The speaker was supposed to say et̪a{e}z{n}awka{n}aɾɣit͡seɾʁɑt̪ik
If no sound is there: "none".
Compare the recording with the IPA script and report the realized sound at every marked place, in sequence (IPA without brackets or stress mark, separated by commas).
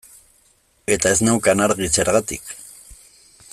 e, n, n